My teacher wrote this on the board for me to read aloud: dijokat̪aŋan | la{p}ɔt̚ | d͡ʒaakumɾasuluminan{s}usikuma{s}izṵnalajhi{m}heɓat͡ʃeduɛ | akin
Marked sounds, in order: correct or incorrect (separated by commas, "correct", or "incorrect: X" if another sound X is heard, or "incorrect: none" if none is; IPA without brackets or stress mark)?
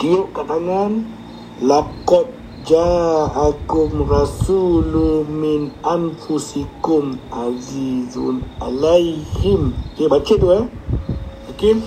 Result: incorrect: k, incorrect: f, incorrect: z, correct